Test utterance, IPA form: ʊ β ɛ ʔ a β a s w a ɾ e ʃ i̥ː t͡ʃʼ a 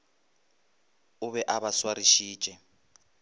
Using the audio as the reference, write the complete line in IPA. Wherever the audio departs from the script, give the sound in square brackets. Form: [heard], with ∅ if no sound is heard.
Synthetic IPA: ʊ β ɛ ʔ a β a s w a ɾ [i] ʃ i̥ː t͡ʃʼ [ɛ]